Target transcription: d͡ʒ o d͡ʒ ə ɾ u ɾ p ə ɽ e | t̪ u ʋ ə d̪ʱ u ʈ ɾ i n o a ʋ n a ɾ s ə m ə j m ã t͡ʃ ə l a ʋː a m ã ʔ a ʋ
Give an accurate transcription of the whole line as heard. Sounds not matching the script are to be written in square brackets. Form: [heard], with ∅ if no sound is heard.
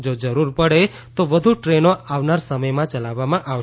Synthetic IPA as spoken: d͡ʒ o d͡ʒ ə ɾ u ɾ p ə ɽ e | t̪ [o] ʋ ə d̪ʱ u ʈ ɾ [e] n o a ʋ n a ɾ s ə m ə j m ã t͡ʃ ə l a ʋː a m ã ʔ a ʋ